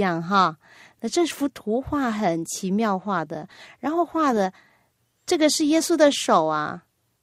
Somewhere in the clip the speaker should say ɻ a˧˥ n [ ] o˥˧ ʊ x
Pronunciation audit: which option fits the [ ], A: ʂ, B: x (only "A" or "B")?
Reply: B